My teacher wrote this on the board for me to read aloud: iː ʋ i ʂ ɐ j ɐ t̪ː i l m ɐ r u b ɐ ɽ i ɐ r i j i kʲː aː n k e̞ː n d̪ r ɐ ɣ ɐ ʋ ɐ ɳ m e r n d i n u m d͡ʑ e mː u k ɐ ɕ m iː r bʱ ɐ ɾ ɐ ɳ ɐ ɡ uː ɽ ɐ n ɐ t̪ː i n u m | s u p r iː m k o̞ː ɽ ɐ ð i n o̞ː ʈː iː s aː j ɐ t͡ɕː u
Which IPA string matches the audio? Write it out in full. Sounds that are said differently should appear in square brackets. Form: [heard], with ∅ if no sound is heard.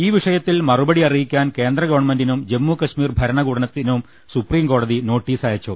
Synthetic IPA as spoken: iː ʋ i ʂ ɐ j ɐ t̪ː i l m ɐ r u b ɐ ɽ i ɐ r i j i kʲː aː n k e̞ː n d̪ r ɐ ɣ ɐ ʋ ɐ ɳ m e [∅] n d i n u m d͡ʑ e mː u k ɐ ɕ m iː r bʱ ɐ ɾ ɐ ɳ ɐ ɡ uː ɽ ɐ n ɐ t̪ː i n u m | s u p r iː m k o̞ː ɽ ɐ ð i n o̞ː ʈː iː s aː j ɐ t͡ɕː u